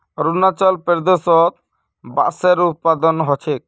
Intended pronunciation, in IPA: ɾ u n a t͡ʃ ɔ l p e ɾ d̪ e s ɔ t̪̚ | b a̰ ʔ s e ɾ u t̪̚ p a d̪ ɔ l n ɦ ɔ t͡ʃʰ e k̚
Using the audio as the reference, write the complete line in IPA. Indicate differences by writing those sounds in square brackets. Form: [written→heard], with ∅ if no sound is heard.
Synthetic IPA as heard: ɾ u n a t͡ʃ ɔ l p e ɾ d̪ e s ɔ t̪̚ | b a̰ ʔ s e ɾ u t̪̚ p a d̪ ɔ [l→∅] n ɦ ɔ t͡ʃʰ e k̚